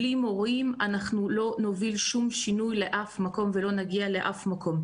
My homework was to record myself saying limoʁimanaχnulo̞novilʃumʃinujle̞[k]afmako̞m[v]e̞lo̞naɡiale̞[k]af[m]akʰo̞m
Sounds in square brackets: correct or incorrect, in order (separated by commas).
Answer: incorrect, correct, incorrect, correct